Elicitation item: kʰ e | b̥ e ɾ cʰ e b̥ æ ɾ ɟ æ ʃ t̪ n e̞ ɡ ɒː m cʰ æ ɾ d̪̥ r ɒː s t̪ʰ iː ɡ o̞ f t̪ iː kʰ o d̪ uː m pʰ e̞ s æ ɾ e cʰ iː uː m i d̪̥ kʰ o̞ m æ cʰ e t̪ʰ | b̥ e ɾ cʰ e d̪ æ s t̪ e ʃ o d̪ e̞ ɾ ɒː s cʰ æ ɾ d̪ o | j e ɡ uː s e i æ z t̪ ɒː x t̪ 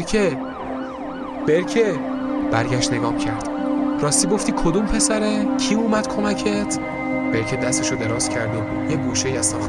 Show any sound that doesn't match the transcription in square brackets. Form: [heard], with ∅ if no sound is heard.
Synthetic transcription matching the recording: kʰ e | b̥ e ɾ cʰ e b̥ æ ɾ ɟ æ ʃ t̪ n e̞ ɡ ɒː m cʰ æ ɾ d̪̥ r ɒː s [t̪] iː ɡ o̞ f t̪ iː kʰ o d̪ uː m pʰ e̞ s æ ɾ e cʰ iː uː m [æ] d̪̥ kʰ o̞ m æ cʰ e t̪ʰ | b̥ e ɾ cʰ e d̪ æ s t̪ e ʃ o d̪ e̞ ɾ ɒː s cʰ æ ɾ d̪ o | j e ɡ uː [ʃ] e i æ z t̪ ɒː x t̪